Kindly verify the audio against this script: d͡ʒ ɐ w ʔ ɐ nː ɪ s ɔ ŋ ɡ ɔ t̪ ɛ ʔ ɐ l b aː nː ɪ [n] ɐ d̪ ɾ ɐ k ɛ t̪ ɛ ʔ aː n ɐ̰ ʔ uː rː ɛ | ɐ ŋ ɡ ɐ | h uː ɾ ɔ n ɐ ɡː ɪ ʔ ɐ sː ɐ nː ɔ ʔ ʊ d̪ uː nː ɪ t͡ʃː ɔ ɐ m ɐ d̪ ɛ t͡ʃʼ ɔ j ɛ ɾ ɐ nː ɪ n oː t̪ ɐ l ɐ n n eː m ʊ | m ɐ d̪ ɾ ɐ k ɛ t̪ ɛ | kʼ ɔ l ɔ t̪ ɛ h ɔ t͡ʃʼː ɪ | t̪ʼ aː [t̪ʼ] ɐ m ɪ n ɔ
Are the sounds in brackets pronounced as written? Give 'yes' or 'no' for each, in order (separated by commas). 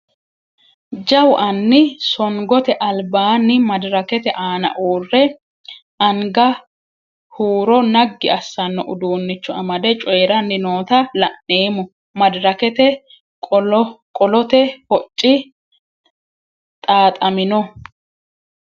no, yes